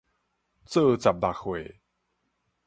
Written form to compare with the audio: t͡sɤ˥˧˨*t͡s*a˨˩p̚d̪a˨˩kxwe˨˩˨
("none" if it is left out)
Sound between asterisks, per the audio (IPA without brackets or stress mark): t͡s